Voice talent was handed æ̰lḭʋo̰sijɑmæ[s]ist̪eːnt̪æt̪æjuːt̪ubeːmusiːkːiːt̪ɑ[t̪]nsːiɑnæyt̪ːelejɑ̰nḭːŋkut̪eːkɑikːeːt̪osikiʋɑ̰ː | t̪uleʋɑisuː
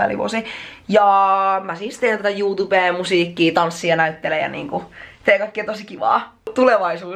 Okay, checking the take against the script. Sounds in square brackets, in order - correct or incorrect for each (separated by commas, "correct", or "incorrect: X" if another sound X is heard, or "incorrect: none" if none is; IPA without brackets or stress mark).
correct, incorrect: none